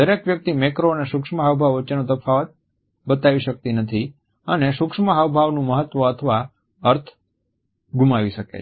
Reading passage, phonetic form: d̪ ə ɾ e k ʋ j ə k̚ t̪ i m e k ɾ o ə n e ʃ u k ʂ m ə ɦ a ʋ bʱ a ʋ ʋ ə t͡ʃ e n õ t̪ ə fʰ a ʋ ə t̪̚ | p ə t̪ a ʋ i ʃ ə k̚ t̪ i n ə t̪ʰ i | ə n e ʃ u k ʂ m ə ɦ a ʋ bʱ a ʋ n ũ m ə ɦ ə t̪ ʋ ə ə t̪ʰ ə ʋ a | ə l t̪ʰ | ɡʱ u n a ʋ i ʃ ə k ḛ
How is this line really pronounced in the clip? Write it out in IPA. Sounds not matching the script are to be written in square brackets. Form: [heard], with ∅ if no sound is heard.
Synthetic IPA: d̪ ə ɾ e k ʋ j ə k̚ t̪ i m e k ɾ o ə n e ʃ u k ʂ m ə ɦ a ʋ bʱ a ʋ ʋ ə t͡ʃ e n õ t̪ ə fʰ a ʋ ə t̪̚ | [b] ə t̪ a ʋ i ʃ ə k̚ t̪ i n ə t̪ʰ i | ə n e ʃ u k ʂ m ə ɦ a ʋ bʱ a ʋ n ũ m ə ɦ ə t̪ ʋ ə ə t̪ʰ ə ʋ a | ə [ɾ] t̪ʰ | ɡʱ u [m] a ʋ i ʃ ə k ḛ